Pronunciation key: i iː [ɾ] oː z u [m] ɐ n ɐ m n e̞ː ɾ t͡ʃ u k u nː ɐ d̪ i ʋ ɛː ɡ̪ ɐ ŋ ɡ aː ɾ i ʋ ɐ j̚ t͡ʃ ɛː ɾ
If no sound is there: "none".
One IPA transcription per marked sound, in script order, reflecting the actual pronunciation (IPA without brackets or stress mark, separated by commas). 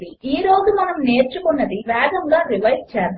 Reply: ɾ, m